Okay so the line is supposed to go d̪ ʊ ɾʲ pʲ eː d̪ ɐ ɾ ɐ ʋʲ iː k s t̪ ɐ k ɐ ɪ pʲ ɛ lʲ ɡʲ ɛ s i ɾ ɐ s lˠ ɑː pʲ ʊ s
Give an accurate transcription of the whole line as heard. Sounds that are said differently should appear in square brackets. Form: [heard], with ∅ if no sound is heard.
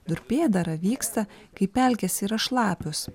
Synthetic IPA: d̪ ʊ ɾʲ pʲ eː d̪ ɐ ɾ ɐ ʋʲ iː k s t̪ ɐ k ɐ ɪ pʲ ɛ lʲ [kʲ] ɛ s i ɾ ɐ [ʃ] lˠ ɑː pʲ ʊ s